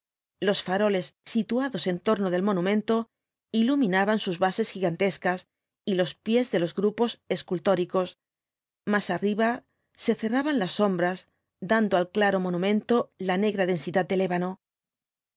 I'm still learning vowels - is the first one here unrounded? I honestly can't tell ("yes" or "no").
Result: no